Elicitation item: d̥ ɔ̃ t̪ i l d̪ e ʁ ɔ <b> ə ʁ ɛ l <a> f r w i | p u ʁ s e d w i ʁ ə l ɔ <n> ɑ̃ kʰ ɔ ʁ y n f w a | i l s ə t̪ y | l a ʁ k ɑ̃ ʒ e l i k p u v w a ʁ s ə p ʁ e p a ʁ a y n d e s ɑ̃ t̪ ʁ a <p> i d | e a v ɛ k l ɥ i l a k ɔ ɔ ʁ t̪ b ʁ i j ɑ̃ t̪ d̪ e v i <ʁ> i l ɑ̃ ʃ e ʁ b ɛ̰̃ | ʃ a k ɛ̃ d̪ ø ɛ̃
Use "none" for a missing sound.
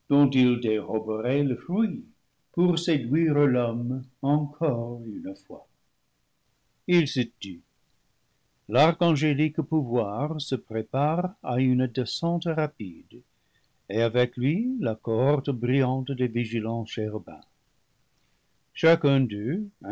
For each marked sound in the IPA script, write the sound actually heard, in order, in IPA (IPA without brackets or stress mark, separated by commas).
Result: b, ə, m, p, ʒ